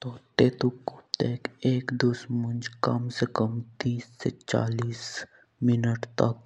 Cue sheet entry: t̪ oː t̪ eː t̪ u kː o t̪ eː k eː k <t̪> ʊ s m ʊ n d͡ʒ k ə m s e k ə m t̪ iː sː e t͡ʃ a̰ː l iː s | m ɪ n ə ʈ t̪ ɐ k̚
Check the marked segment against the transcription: incorrect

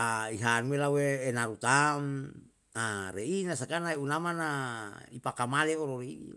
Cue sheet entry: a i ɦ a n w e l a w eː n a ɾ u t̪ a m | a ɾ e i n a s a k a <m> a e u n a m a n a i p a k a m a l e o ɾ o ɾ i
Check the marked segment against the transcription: incorrect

